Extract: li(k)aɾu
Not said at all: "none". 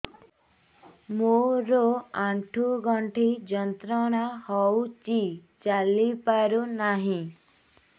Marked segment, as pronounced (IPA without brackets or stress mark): p